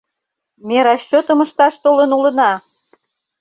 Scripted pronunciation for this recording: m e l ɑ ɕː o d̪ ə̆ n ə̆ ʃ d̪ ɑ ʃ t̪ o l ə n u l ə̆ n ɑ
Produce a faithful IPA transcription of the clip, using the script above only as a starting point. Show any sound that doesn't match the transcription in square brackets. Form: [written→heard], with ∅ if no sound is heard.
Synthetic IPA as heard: m e [l→ɾ] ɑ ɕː o [d̪→t̪] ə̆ [n→m] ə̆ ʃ [d̪→t̪] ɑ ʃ t̪ o l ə n u l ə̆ n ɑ